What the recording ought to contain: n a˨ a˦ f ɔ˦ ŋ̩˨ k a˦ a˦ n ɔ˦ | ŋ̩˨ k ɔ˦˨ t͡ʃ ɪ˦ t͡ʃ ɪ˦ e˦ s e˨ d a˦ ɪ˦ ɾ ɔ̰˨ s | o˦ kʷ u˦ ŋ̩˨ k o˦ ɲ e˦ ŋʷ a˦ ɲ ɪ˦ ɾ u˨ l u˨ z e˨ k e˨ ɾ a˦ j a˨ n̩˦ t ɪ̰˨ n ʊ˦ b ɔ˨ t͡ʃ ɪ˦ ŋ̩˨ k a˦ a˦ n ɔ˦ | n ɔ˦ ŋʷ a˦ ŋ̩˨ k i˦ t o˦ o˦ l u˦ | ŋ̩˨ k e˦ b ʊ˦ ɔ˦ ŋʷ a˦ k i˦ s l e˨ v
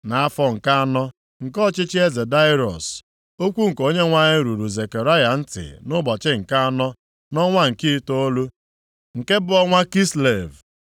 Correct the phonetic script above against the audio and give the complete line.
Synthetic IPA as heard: n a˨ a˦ f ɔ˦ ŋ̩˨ k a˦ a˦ n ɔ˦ | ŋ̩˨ k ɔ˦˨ t͡ʃ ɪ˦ t͡ʃ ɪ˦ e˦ z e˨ d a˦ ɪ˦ ɾ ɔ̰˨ s | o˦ kʷ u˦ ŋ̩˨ k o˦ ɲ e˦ ŋʷ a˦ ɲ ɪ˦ ɾ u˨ ɾ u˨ z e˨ k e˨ ɾ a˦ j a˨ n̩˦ t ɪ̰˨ n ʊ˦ b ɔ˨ t͡ʃ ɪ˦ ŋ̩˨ k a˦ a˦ n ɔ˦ | n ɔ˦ ŋʷ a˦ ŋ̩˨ k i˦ t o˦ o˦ l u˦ | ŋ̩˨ k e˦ b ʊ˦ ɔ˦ ŋʷ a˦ k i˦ s l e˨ v